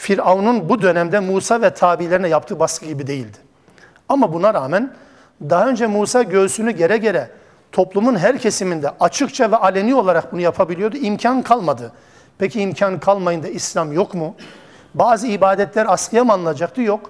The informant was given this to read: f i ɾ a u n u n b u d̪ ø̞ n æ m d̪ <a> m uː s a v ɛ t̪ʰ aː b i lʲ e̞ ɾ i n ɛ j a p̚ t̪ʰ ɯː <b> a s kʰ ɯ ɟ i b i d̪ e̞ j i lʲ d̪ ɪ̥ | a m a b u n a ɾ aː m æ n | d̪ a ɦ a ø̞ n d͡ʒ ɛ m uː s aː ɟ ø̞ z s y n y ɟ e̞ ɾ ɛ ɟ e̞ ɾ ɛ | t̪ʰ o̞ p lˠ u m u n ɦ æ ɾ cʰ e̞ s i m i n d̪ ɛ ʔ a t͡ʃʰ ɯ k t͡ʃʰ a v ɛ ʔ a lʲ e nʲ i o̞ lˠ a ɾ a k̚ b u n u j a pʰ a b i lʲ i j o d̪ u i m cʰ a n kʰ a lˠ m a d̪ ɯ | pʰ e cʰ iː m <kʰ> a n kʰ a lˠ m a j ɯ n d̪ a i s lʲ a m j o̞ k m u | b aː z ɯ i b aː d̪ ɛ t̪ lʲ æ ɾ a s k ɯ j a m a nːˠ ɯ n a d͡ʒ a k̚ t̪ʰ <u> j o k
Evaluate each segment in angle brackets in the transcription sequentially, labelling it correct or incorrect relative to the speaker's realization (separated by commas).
incorrect, correct, incorrect, incorrect